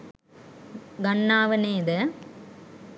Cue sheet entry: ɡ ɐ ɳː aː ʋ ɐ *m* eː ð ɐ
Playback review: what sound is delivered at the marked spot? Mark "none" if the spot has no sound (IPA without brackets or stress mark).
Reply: n